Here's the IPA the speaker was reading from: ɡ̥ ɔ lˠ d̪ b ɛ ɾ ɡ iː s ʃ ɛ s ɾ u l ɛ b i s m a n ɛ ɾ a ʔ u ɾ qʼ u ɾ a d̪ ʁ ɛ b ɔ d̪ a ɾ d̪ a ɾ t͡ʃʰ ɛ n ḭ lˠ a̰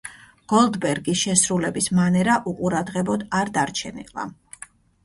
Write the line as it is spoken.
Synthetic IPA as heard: ɡ̥ ɔ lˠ d̪ b ɛ ɾ ɡ i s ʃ ɛ s ɾ u l ɛ b i s m a n ɛ ɾ a ʔ u qʼ u ɾ a d̪ ʁ ɛ b ɔ d̪ a ɾ d̪ a ɾ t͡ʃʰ ɛ n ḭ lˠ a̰